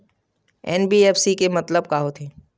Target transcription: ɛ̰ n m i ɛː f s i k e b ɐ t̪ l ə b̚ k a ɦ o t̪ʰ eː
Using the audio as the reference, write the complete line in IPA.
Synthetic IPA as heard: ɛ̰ n b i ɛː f s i k e m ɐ t̪ l ə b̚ k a ɦ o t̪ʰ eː